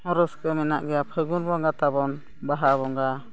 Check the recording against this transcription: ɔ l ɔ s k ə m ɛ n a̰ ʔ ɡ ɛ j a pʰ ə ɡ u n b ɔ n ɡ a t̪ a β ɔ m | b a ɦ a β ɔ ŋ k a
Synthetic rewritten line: ɔ ɾ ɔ s k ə m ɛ n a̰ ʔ ɡ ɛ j a pʰ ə ɡ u n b ɔ ŋ ɡ a t̪ a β ɔ n | b a ɦ a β ɔ ŋ ɡ a